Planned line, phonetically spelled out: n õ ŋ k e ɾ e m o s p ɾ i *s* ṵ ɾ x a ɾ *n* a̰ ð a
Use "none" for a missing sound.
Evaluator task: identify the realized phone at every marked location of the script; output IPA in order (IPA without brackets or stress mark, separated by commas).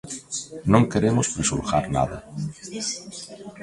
s, n